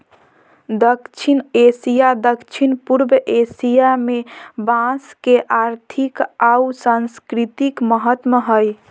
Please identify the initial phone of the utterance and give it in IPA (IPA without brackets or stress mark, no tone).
d̪